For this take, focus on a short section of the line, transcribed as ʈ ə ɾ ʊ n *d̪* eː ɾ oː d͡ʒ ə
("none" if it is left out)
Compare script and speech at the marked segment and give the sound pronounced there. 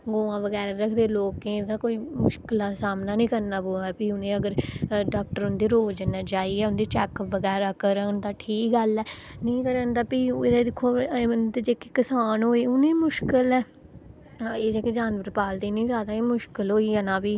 d̪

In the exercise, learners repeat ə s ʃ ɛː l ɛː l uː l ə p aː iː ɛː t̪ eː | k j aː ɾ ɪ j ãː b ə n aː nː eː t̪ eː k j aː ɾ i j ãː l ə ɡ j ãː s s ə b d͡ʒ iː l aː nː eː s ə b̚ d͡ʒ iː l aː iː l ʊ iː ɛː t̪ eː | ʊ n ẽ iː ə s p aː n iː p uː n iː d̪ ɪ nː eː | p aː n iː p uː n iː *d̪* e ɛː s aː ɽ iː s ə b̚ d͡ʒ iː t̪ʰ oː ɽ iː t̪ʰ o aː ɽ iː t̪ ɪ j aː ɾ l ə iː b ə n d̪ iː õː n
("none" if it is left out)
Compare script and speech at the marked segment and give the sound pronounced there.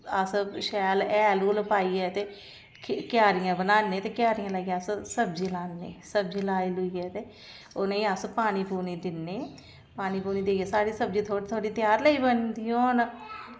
d̪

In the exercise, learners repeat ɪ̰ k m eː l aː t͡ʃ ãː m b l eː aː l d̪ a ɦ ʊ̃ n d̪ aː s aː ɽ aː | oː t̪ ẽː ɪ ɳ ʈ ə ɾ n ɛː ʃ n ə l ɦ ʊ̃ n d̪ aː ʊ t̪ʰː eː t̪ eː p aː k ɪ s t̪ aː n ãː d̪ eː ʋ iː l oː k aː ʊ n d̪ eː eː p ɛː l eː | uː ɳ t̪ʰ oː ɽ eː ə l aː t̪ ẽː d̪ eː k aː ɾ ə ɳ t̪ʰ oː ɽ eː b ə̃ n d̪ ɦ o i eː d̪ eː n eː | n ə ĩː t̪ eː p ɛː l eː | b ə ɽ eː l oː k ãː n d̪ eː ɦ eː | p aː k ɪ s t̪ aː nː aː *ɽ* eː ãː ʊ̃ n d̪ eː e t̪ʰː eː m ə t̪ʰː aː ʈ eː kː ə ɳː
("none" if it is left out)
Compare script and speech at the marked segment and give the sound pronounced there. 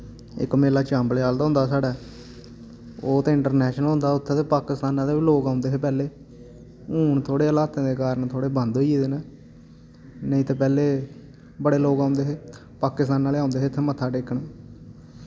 l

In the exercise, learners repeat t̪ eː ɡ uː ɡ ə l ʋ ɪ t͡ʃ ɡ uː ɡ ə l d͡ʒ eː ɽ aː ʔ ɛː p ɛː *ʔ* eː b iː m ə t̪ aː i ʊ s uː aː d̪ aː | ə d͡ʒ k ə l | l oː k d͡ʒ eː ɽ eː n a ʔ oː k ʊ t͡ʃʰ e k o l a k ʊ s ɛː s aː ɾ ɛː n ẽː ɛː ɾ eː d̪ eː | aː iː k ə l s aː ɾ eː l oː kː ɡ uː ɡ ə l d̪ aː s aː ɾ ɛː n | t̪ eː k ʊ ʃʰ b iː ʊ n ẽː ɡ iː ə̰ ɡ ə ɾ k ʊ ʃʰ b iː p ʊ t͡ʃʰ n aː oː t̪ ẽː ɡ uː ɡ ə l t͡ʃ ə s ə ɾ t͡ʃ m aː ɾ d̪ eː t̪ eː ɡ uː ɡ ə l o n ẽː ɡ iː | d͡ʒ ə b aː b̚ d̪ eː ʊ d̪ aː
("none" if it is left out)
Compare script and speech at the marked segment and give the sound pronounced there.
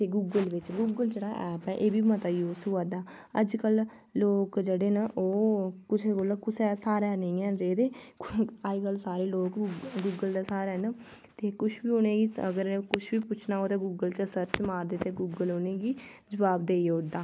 ʔ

